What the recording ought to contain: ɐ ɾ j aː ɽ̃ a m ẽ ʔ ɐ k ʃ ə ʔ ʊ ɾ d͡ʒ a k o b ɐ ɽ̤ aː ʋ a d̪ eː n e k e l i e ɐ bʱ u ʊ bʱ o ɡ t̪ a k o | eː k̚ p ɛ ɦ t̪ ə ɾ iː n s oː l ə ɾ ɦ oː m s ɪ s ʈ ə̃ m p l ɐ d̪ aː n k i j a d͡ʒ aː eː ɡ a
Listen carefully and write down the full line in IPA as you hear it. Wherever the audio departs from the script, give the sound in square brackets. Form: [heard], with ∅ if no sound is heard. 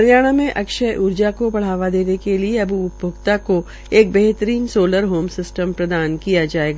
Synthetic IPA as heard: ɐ ɾ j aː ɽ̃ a m ẽ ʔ ɐ k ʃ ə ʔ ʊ ɾ d͡ʒ a k o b ɐ ɽ̤ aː ʋ a d̪ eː n e k e l i e ɐ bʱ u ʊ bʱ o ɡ t̪ a k o | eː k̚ [b] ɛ ɦ t̪ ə ɾ iː n s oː l ə ɾ ɦ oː m s ɪ s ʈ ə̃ m p [ɾ] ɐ d̪ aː n k i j a d͡ʒ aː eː ɡ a